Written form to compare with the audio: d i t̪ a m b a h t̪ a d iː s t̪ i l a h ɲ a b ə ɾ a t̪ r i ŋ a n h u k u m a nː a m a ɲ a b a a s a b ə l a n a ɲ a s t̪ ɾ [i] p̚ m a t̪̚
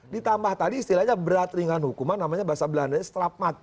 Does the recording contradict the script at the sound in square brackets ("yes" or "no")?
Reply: yes